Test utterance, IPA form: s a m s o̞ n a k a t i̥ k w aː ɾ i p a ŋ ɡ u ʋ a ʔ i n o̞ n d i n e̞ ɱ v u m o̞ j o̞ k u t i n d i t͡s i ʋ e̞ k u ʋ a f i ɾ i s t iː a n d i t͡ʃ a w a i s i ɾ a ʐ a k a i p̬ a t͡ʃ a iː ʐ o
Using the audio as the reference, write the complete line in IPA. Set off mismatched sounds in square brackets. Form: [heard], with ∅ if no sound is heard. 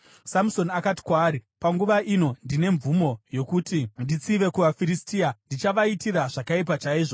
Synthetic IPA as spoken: s a m s o̞ n a k a t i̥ k w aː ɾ i p a ŋ ɡ u ʋ a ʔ i n o̞ n d i n e̞ ɱ v u m o̞ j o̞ k u t i n d i t͡s i ʋ e̞ k u ʋ a f i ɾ i s t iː a n d i t͡ʃ a [ʋ] a i [t] i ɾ a ʐ a k a i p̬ a t͡ʃ a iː ʐ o